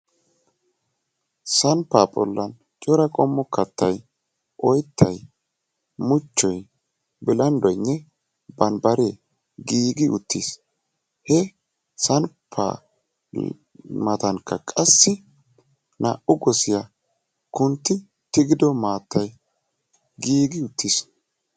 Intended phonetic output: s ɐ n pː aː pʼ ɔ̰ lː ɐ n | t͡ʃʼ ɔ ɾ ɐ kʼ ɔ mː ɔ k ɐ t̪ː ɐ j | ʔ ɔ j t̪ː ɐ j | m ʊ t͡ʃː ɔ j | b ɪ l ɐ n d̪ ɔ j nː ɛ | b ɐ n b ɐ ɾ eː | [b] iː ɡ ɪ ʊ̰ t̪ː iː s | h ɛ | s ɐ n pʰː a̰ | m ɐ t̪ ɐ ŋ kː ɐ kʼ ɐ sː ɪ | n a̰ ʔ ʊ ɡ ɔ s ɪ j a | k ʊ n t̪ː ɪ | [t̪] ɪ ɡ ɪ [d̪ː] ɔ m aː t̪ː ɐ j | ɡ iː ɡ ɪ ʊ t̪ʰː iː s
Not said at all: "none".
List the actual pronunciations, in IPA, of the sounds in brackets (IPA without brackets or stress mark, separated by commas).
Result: ɡ, t̪, d̪